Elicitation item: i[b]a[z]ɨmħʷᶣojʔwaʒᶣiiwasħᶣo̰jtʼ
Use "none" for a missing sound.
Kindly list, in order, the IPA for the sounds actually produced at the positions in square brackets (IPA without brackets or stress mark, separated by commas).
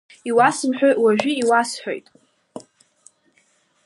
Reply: w, s